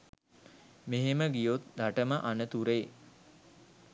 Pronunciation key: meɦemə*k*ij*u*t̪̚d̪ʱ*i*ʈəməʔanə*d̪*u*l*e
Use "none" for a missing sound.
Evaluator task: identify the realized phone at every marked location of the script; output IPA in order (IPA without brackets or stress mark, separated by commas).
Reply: ɡ, o, a, t̪, ɾ